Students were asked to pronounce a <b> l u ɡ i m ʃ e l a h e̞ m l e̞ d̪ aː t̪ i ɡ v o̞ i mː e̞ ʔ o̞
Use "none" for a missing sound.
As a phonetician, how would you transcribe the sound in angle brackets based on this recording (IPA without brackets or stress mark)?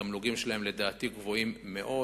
m